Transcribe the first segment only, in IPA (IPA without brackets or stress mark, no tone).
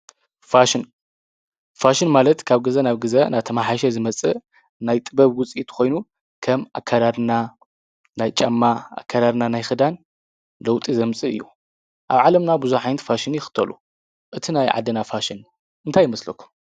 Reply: f